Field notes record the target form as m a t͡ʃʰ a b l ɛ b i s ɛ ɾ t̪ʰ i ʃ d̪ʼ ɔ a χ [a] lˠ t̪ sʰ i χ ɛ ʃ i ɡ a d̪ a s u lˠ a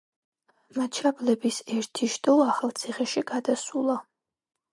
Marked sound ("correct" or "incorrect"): correct